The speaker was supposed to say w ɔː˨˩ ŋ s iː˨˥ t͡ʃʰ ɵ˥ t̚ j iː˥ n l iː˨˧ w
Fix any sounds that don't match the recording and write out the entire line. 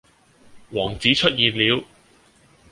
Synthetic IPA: w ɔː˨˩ ŋ t͡s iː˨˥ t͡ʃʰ ɵ˥ t̚ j iː˨ n l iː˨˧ w